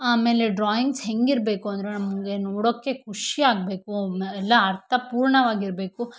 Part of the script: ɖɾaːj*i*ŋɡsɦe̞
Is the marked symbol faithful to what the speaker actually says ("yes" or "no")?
yes